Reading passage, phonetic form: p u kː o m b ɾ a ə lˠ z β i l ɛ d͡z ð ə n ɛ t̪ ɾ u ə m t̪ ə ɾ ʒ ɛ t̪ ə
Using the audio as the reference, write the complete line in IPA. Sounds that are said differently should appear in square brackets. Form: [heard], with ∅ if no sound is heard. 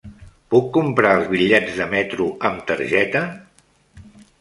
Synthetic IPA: p u kː [u] m [p] ɾ a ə lˠ z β i [ʎ] ɛ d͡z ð ə [m] ɛ t̪ ɾ u ə m t̪ ə ɾ ʒ ɛ t̪ ə

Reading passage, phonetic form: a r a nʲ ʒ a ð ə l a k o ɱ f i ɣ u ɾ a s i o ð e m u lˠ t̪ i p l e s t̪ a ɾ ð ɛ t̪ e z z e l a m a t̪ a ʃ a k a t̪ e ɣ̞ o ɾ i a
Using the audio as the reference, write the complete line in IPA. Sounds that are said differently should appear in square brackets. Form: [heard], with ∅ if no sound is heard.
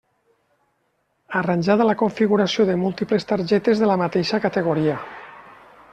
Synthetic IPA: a r a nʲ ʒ a ð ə l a k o ɱ f i ɣ u ɾ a s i o ð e m u lˠ t̪ i p l e s t̪ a ɾ [ʒ] ɛ t̪ e z [ð] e l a m a t̪ [e] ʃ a k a t̪ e ɣ̞ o ɾ i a

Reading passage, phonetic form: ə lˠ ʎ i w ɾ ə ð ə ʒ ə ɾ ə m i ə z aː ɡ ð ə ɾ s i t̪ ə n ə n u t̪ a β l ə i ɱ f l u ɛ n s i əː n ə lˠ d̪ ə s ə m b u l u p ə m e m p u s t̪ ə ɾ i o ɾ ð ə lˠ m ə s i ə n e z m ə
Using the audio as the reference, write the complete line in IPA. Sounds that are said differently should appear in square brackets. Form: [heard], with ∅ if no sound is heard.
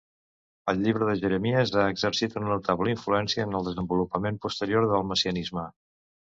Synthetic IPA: ə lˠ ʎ i [β] ɾ ə ð ə ʒ ə ɾ ə m i ə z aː ɡ [z] ə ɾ s i t̪ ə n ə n u t̪ a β l ə i ɱ f l u ɛ n s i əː n ə lˠ d̪ ə [z] ə m b u l u p ə m e m p u s t̪ ə ɾ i o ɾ ð ə lˠ m ə s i ə n [i] z m ə

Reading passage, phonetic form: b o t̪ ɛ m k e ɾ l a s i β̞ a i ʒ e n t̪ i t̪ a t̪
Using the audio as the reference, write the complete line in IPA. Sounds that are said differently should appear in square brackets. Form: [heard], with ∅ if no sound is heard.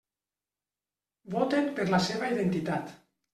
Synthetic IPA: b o t̪ [e] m [p] e ɾ l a s [e] β̞ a i [ð] e n t̪ i t̪ a t̪

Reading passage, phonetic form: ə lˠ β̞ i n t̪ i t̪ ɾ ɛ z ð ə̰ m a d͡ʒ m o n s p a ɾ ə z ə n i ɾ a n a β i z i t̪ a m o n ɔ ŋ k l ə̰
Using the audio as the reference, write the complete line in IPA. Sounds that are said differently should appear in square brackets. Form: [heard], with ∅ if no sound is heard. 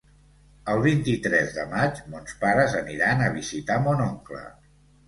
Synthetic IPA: ə lˠ β̞ i n t̪ i t̪ ɾ ɛ z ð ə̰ m a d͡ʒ m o n s p a ɾ ə z ə n i ɾ a n [ə] β i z i t̪ a m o n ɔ ŋ k l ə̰

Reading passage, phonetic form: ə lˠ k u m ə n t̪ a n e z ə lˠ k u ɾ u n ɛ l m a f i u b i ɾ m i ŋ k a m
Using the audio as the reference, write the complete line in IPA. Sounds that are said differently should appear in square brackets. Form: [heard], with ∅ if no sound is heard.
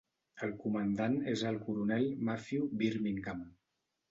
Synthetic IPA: ə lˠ k u m ə n [d̪] a n e z ə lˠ k u ɾ u n ɛ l m a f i u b i ɾ m i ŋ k a m

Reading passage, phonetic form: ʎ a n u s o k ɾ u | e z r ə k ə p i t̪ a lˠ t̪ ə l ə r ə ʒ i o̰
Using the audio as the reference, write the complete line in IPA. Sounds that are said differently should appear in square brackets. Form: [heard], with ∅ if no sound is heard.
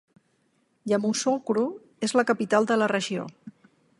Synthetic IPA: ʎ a [m] u s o k ɾ u | e z [l] ə k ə p i t̪ a lˠ [d̪] ə l ə r ə ʒ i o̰

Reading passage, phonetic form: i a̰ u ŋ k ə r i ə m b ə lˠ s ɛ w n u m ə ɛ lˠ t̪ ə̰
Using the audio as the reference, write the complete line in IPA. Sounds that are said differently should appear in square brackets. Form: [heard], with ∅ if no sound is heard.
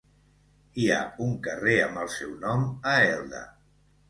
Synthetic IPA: i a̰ u ŋ k ə r [e] ə m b ə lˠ s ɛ w n [ɔ] m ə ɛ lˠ [d̪] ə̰

